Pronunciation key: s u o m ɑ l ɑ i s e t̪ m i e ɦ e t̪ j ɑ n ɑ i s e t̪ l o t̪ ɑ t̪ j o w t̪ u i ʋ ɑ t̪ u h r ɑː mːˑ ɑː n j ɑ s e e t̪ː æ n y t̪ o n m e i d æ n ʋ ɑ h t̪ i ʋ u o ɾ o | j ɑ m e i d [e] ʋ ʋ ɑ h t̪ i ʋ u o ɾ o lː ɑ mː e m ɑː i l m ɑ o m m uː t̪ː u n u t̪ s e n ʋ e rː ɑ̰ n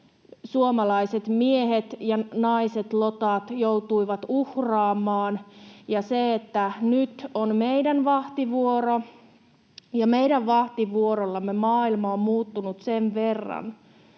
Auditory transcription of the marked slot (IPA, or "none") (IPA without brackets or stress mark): æ